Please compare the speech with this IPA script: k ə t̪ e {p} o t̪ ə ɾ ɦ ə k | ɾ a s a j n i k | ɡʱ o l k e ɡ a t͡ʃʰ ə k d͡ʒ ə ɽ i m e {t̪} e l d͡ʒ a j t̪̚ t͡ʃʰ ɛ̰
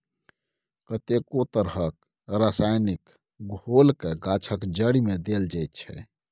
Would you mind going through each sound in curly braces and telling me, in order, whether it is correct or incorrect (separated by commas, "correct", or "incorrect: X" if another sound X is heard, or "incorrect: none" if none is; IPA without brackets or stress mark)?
incorrect: k, incorrect: d̪